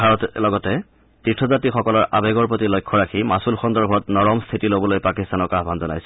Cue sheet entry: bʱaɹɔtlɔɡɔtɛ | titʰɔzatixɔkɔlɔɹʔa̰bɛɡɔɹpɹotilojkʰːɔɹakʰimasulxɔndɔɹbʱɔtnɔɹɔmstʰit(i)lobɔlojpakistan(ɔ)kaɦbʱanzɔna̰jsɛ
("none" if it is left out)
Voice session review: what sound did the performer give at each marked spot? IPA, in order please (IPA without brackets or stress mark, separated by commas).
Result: i, ɔ